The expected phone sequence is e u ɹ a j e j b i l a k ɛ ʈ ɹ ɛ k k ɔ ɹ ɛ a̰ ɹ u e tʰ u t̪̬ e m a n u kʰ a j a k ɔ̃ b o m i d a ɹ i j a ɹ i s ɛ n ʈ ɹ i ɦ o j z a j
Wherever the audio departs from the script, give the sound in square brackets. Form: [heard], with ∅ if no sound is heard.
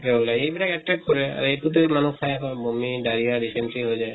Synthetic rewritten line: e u [l] a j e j b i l a k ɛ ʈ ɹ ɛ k k ɔ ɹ ɛ a̰ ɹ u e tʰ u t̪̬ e m a n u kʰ a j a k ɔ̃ b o m i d a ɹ i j a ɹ i s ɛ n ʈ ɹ i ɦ o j z a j